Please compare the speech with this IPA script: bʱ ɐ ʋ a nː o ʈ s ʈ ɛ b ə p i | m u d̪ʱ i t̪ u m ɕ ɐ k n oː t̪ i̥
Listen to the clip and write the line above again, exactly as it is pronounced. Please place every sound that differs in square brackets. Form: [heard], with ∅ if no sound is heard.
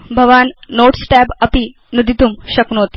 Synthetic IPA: bʱ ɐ ʋ a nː o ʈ s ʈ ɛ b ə p i | [n] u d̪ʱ i t̪ u m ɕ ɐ k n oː t̪ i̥